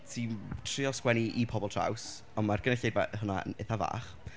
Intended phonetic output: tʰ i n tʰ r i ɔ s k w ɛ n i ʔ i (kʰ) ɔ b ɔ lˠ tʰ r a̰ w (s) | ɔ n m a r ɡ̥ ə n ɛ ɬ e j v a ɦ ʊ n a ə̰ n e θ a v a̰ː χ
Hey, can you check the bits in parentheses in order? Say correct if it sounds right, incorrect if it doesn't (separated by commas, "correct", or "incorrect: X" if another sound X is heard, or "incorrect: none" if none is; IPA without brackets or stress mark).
incorrect: pʰ, correct